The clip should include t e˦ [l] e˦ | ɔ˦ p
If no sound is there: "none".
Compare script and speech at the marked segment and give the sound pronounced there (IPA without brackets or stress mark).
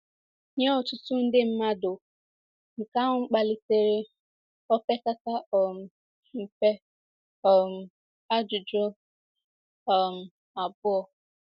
ɾ